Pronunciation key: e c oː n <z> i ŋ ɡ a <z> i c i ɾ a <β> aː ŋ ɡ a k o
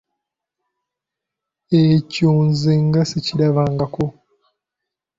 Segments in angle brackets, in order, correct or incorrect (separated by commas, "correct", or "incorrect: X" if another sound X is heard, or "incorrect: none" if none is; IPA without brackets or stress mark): correct, incorrect: s, correct